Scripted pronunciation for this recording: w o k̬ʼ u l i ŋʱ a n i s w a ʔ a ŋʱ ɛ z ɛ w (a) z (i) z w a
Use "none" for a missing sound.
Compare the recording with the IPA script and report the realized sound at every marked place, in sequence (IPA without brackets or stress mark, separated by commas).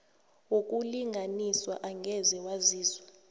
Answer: a, iː